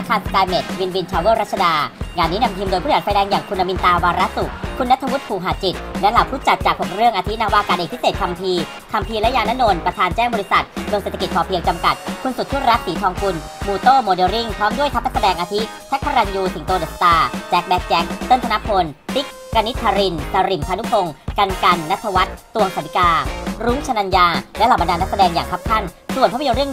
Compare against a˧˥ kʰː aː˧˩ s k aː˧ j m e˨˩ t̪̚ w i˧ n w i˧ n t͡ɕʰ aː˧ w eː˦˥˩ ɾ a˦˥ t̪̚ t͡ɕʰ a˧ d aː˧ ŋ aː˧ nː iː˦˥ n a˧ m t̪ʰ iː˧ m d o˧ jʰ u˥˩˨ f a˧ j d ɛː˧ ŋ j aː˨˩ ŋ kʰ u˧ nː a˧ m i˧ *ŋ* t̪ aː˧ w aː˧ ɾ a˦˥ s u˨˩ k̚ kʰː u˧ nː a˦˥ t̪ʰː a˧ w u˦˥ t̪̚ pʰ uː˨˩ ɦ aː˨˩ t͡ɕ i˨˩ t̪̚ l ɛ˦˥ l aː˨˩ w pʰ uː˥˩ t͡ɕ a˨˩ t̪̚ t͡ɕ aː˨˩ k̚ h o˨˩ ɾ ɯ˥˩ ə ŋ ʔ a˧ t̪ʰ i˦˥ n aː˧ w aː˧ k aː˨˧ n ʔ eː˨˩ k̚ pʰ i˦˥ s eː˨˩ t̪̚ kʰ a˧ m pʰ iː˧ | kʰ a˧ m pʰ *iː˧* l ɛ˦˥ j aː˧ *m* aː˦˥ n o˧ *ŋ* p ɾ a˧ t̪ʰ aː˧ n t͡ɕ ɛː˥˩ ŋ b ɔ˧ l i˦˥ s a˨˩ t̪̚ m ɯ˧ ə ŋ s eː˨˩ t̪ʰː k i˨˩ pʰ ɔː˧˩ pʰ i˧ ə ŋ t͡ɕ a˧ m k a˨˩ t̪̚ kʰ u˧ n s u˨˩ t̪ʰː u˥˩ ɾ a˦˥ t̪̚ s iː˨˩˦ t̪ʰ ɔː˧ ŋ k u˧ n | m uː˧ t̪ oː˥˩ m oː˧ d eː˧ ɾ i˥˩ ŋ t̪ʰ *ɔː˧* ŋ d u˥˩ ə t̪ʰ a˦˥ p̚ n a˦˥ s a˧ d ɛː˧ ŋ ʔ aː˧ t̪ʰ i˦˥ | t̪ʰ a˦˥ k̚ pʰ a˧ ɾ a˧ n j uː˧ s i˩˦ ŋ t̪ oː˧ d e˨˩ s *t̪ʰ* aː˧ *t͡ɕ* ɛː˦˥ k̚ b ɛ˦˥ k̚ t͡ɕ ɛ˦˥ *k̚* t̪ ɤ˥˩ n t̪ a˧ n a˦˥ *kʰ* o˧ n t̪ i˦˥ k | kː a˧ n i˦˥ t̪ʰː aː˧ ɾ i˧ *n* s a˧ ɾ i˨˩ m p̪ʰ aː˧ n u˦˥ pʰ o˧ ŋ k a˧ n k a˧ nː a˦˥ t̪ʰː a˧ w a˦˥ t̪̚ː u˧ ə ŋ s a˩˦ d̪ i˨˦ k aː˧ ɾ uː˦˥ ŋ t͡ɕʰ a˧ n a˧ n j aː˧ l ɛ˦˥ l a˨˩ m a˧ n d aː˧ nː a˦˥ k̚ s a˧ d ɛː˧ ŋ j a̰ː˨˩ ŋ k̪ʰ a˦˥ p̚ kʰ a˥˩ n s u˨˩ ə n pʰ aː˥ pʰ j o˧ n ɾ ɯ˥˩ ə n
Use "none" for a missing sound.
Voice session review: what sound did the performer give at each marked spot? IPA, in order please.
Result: n, iː˧, n, n, ɔː˦˥, t̪, t͡ɕ, k̚, pʰ, n

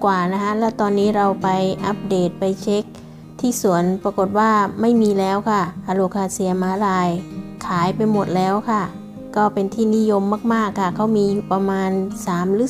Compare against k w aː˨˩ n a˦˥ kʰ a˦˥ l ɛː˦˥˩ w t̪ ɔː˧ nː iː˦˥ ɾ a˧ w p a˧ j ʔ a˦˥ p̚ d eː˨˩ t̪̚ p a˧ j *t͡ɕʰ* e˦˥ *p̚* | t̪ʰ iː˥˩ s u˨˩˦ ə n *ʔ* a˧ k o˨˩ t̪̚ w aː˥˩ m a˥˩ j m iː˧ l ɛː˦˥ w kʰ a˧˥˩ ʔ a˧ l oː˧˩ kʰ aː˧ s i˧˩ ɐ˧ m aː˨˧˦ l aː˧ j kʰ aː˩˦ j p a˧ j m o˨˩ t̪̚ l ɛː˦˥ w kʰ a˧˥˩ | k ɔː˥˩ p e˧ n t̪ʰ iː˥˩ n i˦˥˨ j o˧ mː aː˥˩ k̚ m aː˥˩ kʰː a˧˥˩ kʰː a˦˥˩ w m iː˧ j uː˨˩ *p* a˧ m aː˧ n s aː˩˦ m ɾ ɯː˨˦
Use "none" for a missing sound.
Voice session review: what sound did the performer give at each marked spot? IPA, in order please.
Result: t͡ɕʰ, k̚, p, p

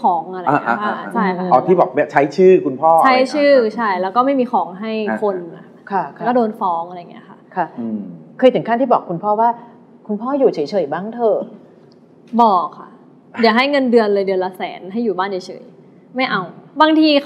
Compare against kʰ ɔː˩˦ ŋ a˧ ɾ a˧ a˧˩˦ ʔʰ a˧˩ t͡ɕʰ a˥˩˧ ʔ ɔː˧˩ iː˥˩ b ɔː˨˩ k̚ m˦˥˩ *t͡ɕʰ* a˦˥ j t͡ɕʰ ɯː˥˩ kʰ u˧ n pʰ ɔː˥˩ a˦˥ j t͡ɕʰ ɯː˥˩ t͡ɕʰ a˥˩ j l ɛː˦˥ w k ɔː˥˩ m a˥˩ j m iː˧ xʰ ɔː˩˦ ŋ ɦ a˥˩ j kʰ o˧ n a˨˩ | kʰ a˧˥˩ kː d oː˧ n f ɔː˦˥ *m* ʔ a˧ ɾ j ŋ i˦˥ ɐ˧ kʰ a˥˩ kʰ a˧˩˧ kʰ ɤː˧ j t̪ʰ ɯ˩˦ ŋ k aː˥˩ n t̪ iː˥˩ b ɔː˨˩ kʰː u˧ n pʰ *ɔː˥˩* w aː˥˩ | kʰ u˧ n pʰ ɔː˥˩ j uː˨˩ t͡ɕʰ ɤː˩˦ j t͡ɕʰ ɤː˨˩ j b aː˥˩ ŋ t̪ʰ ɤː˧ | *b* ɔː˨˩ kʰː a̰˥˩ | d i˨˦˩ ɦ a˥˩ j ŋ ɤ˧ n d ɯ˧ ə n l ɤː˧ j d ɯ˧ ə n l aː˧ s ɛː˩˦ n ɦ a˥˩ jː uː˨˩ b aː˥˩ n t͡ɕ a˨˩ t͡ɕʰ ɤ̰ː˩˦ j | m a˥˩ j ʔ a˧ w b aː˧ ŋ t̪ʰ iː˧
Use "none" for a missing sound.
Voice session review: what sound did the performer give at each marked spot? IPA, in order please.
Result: t͡ɕʰ, ŋ, ɔː˥˩, b

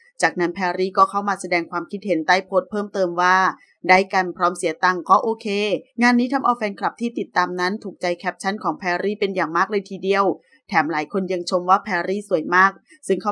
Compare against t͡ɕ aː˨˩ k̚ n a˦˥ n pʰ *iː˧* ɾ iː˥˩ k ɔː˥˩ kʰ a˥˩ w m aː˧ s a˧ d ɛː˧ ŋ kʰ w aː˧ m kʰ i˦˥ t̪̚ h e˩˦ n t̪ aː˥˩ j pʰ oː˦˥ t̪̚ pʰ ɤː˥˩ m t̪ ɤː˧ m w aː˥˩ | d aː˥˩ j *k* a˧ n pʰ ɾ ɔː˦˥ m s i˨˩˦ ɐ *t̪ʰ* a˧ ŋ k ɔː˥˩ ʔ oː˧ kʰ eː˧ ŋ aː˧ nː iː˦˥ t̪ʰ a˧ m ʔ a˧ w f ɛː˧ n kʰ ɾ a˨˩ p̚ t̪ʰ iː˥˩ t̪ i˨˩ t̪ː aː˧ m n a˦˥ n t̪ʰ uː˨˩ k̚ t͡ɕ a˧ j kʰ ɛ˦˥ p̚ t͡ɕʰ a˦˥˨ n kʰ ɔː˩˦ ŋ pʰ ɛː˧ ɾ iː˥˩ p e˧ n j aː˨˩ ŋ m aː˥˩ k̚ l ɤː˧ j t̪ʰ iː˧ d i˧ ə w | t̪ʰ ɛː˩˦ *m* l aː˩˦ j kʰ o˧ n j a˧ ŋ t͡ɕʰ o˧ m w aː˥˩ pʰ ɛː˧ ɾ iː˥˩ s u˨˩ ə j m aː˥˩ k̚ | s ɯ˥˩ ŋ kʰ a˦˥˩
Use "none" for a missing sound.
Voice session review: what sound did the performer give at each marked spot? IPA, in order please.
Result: ɛː˧, k, t̪, m

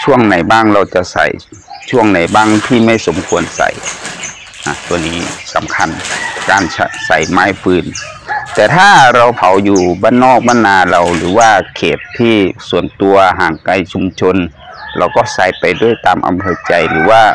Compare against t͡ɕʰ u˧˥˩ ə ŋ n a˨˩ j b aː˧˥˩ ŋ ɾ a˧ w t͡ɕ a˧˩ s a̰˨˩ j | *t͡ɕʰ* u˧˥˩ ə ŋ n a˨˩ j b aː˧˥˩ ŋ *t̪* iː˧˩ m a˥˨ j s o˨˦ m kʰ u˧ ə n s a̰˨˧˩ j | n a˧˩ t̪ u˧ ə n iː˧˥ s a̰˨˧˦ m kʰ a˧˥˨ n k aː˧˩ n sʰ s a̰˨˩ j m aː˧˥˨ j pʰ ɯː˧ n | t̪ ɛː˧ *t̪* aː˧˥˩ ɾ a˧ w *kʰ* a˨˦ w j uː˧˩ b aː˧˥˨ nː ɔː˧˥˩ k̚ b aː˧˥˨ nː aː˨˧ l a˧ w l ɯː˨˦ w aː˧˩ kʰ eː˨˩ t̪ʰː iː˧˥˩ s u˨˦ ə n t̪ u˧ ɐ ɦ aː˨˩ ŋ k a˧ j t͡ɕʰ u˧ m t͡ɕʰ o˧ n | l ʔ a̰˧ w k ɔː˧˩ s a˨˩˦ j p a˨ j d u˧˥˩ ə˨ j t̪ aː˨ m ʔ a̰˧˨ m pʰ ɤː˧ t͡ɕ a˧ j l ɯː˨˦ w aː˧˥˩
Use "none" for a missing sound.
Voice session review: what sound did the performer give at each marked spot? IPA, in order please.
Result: t͡ɕʰ, t̪ʰ, t̪ʰ, pʰ

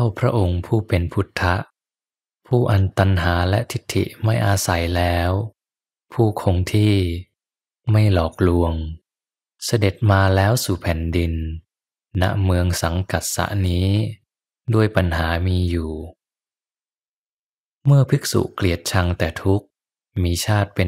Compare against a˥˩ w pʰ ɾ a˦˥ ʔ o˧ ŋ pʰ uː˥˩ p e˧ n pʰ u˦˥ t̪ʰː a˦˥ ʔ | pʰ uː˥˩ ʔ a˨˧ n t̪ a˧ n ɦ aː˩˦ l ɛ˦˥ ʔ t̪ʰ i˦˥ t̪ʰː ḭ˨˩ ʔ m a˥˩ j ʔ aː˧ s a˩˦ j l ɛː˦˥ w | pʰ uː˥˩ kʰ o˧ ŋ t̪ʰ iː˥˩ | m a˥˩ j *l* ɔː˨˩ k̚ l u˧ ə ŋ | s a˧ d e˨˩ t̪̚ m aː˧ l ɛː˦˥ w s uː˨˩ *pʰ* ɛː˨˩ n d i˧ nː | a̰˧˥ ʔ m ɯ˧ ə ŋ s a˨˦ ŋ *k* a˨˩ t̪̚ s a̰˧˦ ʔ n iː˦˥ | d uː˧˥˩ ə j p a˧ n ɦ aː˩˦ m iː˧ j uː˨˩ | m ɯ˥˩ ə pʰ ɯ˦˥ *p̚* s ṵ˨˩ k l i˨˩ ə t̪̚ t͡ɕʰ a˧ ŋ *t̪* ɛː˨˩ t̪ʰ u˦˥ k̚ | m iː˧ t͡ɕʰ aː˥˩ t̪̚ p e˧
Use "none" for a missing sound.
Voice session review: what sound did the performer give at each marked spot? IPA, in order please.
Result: l, pʰ, k, k̚, t̪

